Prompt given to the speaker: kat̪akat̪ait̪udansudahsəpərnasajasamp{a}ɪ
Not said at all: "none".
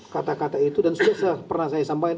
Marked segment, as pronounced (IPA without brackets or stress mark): a